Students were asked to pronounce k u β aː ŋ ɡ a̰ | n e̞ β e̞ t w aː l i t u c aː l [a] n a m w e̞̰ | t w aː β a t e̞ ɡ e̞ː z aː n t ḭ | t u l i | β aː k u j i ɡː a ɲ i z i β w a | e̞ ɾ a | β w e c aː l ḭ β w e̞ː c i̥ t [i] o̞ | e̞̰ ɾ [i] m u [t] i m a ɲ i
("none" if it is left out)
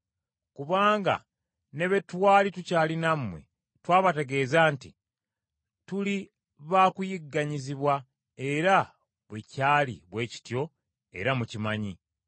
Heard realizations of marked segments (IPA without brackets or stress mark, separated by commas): i, j, a, c